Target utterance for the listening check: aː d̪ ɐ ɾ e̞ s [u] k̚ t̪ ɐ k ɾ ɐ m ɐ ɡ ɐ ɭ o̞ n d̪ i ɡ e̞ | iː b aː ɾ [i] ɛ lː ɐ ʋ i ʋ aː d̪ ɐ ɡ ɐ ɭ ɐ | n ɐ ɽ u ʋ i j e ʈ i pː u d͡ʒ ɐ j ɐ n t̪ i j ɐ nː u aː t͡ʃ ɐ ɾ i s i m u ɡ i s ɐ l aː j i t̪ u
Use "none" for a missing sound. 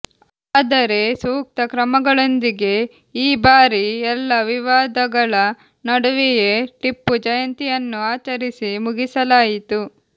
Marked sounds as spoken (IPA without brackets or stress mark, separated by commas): uː, i